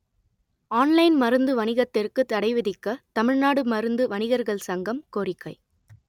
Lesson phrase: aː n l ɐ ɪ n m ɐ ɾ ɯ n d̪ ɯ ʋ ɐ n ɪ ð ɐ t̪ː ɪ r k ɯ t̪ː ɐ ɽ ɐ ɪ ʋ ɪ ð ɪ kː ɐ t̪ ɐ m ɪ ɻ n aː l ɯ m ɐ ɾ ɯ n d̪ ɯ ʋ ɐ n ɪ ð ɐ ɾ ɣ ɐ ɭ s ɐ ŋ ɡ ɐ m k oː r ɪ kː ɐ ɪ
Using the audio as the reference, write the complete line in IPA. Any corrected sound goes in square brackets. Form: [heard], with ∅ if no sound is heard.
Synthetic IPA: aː n l ɐ ɪ n m ɐ ɾ ɯ n d̪ ɯ ʋ ɐ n ɪ [ɣ] ɐ t̪ː ɪ r k ɯ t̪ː ɐ ɽ ɐ ɪ ʋ ɪ ð ɪ kː ɐ t̪ ɐ m ɪ ɻ n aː [ɽ] ɯ m ɐ ɾ ɯ n d̪ ɯ ʋ ɐ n ɪ [ɣ] ɐ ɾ ɣ ɐ ɭ s ɐ ŋ ɡ ɐ m k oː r ɪ kː ɐ ɪ

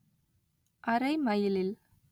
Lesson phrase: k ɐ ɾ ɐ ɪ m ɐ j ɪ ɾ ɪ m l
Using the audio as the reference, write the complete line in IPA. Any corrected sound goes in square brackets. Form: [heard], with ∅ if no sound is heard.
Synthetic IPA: [ʔ] ɐ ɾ ɐ ɪ m ɐ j ɪ [l] ɪ [∅] l

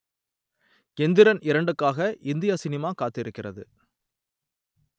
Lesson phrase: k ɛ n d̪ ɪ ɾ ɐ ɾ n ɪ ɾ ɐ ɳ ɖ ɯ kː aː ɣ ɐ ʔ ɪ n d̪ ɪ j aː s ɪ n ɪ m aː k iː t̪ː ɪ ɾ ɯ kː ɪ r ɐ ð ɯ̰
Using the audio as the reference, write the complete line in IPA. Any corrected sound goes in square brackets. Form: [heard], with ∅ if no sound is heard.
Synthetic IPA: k ɛ n d̪ ɪ ɾ ɐ [∅] n ɪ ɾ ɐ ɳ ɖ ɯ kː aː ɣ ɐ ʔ ɪ n d̪ ɪ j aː s ɪ n ɪ m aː k [aː] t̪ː ɪ ɾ ɯ kː ɪ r ɐ ð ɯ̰

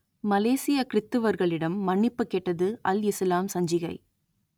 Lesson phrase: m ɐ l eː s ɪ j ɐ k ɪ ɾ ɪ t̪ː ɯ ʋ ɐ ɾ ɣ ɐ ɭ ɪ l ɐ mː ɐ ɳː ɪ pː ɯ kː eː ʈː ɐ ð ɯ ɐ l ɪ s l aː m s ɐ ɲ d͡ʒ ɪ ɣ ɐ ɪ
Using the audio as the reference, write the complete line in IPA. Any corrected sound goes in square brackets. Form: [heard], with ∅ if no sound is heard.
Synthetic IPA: m ɐ l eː s ɪ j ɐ k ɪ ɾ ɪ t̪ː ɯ ʋ ɐ ɾ ɣ ɐ ɭ ɪ [ɽ] ɐ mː ɐ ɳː ɪ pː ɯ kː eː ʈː ɐ ð ɯ ɐ l ɪ s l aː m s ɐ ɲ d͡ʒ ɪ ɣ ɐ ɪ

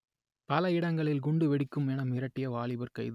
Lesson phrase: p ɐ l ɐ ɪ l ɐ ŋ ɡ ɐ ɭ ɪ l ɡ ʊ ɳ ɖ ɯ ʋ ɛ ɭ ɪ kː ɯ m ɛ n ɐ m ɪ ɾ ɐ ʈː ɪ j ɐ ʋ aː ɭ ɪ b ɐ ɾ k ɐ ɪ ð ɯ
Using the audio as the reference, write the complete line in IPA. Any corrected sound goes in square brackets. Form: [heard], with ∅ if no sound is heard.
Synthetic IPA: p ɐ l ɐ ɪ [ɽ] ɐ ŋ ɡ ɐ ɭ ɪ l ɡ ʊ ɳ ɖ ɯ ʋ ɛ [ɽ] ɪ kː ɯ m ɛ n ɐ m ɪ ɾ ɐ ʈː ɪ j ɐ ʋ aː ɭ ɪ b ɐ ɾ k ɐ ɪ ð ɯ

